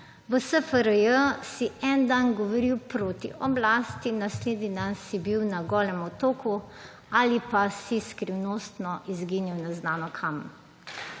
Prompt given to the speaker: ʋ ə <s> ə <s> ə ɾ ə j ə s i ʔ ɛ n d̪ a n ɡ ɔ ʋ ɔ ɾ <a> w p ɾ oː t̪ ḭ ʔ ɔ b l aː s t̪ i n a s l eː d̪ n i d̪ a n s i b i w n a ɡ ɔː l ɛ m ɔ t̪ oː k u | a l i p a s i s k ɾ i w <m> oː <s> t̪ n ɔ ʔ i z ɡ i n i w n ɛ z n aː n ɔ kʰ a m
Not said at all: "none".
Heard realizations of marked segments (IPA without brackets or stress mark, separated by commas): s, f, i, n, s